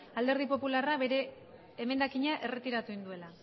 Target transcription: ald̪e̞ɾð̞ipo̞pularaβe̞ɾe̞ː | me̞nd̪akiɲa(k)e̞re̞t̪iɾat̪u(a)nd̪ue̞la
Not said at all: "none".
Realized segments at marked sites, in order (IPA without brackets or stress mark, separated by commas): ʔ, i